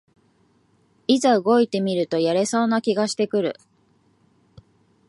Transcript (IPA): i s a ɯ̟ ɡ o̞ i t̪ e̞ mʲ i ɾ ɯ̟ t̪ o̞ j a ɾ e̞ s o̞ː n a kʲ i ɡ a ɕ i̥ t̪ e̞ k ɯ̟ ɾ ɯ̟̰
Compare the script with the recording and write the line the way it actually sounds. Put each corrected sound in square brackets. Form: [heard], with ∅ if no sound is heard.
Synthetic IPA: i [z] a ɯ̟ ɡ o̞ i t̪ e̞ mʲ i ɾ ɯ̟ t̪ o̞ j a ɾ e̞ s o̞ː n a kʲ i ɡ a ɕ i̥ t̪ e̞ k ɯ̟ ɾ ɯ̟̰